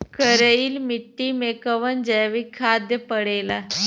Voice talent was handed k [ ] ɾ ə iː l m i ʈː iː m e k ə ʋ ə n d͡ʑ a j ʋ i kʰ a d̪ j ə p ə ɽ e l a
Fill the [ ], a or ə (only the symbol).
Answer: ə